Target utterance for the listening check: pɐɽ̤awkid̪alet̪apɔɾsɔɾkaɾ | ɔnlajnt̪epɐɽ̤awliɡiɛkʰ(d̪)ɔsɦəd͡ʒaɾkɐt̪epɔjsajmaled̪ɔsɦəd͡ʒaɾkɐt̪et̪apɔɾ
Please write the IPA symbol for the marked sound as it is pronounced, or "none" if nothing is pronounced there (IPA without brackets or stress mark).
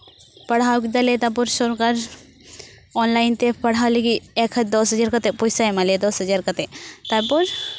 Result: d̪